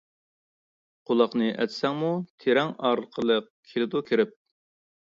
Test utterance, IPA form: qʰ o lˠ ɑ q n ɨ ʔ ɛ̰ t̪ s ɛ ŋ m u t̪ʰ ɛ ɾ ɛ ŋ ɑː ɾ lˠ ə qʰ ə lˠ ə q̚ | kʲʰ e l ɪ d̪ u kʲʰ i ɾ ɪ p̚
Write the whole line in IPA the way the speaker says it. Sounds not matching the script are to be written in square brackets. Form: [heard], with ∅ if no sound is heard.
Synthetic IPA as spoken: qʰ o lˠ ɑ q n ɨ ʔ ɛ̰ t̪ s ɛ ŋ m u t̪ʰ [e] ɾ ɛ ŋ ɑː ɾ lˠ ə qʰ ə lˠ ə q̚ | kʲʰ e l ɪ d̪ u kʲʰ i ɾ ɪ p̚